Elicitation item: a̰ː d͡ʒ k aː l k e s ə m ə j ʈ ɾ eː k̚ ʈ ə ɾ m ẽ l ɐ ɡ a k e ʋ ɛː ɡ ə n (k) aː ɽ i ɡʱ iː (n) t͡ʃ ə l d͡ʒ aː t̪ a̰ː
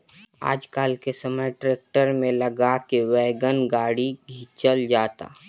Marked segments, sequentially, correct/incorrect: incorrect, incorrect

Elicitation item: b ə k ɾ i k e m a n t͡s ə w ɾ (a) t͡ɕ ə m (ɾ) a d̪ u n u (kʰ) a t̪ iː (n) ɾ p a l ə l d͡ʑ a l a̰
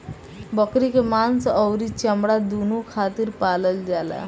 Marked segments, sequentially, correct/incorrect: incorrect, incorrect, correct, incorrect

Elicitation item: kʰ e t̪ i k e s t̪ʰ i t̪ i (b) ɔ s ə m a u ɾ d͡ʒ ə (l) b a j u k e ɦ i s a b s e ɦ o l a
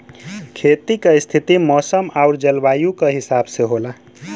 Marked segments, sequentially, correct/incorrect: incorrect, correct

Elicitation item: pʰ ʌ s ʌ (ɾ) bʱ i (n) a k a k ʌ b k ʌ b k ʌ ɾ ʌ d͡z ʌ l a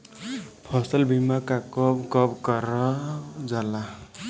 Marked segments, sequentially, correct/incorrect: incorrect, incorrect

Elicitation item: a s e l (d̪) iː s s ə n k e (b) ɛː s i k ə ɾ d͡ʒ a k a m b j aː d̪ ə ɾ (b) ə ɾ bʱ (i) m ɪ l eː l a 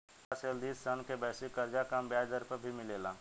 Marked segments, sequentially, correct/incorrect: correct, correct, incorrect, correct

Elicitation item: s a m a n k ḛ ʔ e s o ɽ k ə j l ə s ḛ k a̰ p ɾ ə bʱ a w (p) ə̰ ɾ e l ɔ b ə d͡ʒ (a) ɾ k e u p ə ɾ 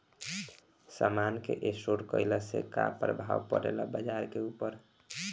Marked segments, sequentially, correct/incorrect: correct, correct

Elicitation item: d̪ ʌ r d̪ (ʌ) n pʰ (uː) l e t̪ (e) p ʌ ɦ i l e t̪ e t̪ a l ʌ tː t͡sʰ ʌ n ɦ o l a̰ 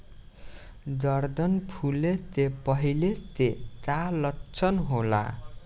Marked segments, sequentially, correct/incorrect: correct, incorrect, correct

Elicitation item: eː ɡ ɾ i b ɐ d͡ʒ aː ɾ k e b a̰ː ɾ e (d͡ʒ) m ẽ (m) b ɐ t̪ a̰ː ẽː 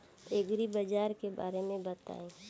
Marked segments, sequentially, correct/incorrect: incorrect, incorrect

